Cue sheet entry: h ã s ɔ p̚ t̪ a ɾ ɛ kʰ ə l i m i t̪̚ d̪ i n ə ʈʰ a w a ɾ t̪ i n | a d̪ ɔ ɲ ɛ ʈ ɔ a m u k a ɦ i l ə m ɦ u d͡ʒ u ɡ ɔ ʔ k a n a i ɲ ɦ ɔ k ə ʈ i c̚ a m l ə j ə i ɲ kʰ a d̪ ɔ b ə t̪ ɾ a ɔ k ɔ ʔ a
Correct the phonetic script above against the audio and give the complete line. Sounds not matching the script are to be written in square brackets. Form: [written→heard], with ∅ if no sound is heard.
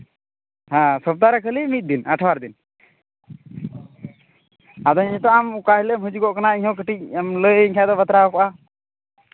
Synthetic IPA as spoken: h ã s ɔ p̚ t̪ a ɾ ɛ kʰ ə l i m i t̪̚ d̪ i n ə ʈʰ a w a ɾ [t̪→d̪] i n | a d̪ ɔ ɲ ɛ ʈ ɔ a m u k a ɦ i l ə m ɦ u d͡ʒ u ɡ ɔ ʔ k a n a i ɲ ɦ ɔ k ə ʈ i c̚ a m l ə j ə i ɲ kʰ a d̪ ɔ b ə t̪ ɾ a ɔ k ɔ ʔ a